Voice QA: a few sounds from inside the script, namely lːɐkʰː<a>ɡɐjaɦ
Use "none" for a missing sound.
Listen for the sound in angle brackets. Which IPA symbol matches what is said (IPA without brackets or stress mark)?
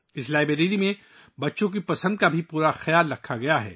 a